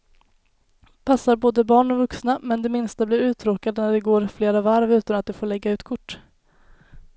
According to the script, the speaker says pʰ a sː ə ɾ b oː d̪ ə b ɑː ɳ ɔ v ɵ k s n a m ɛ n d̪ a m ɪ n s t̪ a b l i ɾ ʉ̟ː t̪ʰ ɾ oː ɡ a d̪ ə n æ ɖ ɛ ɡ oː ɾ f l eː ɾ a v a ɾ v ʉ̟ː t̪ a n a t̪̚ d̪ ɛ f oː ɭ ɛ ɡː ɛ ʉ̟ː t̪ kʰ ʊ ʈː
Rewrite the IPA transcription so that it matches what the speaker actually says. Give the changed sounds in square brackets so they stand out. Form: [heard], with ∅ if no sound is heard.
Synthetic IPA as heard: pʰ a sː [a] ɾ b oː d̪ ə b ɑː ɳ ɔ v ɵ k s n a m ɛ n d̪ [ɛ] m ɪ n s t̪ a b l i ɾ ʉ̟ː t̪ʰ ɾ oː [k] a d̪ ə n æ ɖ ɛ ɡ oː ɾ f l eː ɾ a v a ɾ v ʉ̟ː t̪ a n a t̪̚ d̪ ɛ f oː ɭ ɛ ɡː [a] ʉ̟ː t̪ kʰ ʊ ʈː